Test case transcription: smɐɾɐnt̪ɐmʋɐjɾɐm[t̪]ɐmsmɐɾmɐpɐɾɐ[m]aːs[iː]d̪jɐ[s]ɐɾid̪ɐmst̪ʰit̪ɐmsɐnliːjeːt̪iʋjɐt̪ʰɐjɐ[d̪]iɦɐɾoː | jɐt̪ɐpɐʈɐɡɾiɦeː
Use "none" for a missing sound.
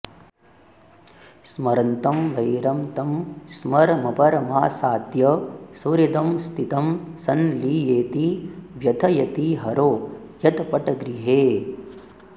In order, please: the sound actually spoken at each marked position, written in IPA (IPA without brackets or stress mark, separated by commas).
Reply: t̪, m, aː, s, t̪